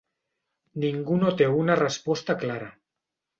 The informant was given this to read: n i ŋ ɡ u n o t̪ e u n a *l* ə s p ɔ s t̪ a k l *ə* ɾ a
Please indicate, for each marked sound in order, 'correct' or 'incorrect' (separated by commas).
incorrect, incorrect